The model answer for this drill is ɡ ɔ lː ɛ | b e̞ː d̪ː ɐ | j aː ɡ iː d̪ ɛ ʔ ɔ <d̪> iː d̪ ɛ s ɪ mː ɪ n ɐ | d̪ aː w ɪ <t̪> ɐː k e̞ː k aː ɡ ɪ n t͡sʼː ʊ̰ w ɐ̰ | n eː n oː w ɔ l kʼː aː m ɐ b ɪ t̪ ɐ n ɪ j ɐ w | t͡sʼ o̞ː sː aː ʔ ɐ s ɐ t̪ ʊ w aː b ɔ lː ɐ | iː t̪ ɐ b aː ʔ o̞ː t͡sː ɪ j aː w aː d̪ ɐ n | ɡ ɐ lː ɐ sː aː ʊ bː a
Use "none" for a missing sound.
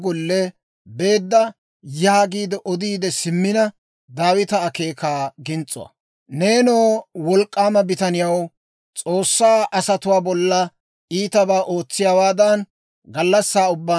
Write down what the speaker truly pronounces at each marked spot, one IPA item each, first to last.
d̪, t̪

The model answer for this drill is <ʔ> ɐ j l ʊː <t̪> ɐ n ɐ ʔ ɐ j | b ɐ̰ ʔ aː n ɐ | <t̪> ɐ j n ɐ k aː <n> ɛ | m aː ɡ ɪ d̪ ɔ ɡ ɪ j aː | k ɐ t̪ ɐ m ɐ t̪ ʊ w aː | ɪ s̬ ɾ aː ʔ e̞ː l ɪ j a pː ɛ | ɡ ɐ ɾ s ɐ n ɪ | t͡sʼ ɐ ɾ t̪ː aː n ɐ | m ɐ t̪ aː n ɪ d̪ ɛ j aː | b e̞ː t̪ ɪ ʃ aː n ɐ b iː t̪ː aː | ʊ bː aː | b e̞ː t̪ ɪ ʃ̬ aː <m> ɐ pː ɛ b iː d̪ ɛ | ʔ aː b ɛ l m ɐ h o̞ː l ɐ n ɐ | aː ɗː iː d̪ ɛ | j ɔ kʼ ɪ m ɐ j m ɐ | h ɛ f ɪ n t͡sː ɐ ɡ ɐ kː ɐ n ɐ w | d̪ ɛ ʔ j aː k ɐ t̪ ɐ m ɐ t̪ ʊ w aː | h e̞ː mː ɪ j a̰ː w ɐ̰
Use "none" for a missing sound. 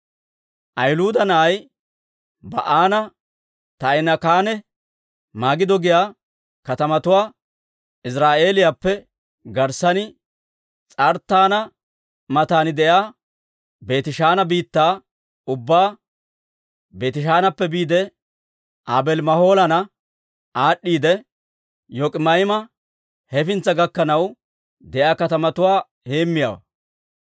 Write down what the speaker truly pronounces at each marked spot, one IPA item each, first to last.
ʔ, d̪, t̪, n, n

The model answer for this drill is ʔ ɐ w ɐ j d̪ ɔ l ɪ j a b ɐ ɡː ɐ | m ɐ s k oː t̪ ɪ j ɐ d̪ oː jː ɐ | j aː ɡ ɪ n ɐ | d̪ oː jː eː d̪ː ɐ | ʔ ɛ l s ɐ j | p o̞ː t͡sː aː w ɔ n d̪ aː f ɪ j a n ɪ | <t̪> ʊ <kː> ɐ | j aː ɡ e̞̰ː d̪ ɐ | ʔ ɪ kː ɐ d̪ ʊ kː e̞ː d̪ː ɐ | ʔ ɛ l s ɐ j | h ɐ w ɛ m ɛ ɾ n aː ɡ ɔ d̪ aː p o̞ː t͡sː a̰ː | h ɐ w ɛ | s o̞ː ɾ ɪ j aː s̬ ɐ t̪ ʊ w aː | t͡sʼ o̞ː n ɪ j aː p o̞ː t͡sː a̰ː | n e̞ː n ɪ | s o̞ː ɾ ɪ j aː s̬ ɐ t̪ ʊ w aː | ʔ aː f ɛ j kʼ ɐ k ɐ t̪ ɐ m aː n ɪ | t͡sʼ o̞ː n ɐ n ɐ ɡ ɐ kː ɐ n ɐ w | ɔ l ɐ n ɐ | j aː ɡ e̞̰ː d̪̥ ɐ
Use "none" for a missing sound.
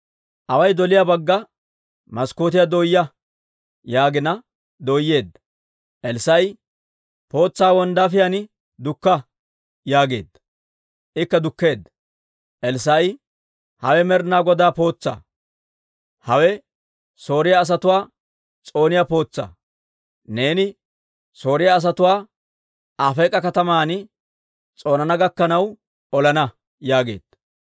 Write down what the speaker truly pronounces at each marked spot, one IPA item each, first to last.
d̪, kː

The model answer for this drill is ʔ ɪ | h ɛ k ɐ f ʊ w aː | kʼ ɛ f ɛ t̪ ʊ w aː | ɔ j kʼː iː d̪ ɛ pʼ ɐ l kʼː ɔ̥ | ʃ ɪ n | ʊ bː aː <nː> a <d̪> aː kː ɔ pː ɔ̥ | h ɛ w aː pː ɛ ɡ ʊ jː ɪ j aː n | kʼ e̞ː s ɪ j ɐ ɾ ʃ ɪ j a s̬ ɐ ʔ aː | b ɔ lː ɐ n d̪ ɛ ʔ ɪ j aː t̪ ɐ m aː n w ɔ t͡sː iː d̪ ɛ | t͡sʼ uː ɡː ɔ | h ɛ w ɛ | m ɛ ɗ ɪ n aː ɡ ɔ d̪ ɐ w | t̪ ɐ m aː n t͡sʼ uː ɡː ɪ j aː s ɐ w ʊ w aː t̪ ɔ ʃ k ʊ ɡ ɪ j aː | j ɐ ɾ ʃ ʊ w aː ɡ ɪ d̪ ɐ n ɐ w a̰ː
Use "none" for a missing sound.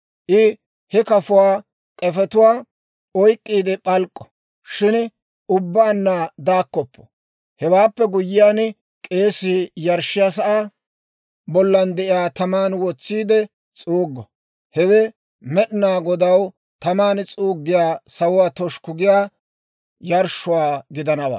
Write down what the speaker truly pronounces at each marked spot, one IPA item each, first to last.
nː, d̪

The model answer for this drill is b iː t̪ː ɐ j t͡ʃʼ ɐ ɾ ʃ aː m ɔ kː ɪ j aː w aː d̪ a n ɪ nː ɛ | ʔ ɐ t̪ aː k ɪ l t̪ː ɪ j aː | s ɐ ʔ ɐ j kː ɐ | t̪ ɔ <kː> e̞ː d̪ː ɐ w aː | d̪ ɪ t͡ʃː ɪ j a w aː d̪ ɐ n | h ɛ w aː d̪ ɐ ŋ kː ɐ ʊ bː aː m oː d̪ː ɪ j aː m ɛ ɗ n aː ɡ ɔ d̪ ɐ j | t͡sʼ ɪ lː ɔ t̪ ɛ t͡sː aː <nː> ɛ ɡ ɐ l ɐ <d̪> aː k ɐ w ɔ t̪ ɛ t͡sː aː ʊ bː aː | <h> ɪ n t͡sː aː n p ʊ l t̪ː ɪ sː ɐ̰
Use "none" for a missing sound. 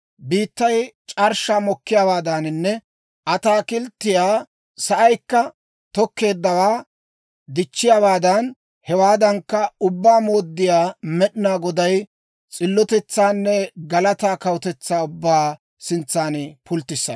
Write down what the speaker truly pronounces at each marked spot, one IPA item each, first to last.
kː, nː, t̪, s

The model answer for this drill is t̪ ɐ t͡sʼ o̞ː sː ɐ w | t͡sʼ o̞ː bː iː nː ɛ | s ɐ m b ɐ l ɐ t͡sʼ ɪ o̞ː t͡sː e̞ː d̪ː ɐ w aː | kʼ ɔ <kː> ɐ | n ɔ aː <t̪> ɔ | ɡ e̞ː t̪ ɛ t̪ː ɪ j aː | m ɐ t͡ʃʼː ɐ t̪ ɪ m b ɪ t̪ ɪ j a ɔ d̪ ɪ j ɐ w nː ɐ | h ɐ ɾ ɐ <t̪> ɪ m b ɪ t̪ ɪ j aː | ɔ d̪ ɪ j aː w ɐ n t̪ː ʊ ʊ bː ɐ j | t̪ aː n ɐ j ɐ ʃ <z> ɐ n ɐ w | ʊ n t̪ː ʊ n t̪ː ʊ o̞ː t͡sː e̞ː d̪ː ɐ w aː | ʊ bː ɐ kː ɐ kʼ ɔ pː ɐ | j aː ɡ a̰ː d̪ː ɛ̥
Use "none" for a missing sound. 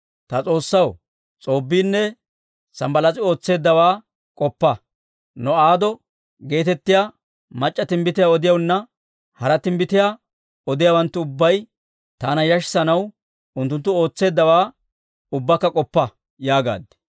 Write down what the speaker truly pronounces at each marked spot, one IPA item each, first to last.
pː, d̪, t̪, s

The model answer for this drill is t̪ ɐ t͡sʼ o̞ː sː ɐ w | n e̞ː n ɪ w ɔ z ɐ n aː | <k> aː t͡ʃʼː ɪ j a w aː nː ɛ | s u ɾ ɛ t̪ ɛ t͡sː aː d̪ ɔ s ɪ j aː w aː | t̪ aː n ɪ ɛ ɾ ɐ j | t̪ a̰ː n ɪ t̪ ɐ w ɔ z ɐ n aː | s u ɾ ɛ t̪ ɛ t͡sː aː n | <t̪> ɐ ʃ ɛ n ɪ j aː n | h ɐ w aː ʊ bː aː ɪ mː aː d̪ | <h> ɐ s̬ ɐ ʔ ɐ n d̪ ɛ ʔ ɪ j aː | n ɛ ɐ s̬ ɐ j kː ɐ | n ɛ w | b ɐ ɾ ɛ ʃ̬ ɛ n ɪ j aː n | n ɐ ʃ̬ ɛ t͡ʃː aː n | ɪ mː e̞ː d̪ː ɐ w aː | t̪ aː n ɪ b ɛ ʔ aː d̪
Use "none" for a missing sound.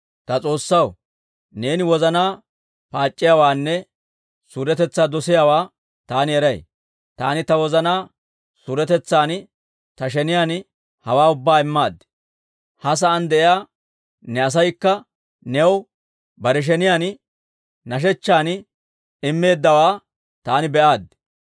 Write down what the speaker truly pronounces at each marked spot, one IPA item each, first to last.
p, t̪, h

